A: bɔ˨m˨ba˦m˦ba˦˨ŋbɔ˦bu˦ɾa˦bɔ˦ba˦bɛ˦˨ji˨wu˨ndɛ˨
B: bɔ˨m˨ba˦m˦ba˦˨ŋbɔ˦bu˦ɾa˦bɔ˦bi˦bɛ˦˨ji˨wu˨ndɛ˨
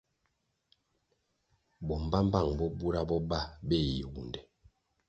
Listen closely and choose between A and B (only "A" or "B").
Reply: A